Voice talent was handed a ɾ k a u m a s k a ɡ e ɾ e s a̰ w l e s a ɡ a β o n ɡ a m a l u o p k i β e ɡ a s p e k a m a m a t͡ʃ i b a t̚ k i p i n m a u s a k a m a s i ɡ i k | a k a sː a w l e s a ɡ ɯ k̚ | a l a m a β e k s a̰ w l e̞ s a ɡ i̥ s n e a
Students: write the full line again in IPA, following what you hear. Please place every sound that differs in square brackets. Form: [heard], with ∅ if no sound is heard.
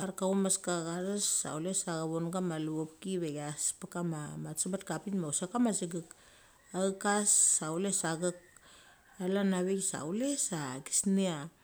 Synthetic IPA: a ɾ k a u m a s k a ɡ [a] ɾ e s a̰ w l e s a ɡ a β o n ɡ a m a l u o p k i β e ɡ a s p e k a m a m a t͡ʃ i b a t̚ k [a] p i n m a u s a k a m a s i ɡ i k | a k a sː a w l e s a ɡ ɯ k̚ | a l a [n] a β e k s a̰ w l e̞ s a ɡ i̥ s n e a